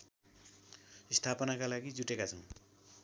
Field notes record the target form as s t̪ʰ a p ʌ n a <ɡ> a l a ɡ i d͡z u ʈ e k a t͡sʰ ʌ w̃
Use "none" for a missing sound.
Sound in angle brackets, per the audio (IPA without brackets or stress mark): k